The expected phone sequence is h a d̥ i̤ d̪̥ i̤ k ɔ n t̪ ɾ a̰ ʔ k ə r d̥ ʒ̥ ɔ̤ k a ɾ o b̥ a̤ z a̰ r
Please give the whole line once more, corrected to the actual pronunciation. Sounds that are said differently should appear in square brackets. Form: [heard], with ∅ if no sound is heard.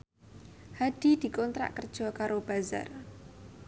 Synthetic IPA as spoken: h a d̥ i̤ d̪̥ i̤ k ɔ n t̪ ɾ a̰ ʔ k ə r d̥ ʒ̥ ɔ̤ k a ɾ o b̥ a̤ z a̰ r